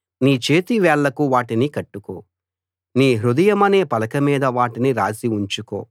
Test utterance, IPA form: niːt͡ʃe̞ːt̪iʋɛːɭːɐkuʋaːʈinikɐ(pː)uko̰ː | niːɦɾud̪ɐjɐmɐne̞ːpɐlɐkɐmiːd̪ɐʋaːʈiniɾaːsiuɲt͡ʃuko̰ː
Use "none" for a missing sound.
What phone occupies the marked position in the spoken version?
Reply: ʈː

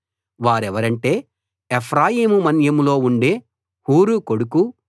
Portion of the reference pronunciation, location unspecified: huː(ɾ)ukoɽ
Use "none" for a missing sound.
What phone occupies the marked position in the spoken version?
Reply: ɾ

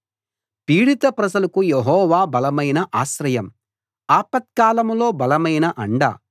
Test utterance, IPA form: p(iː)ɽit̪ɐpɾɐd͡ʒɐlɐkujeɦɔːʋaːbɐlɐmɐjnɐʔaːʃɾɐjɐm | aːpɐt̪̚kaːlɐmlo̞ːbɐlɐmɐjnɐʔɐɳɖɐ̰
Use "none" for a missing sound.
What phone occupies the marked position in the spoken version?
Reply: iː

